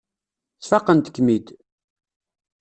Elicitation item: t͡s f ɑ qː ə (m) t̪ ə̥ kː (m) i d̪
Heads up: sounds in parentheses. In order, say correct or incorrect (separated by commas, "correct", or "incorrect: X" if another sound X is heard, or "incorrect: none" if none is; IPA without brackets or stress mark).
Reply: incorrect: n, correct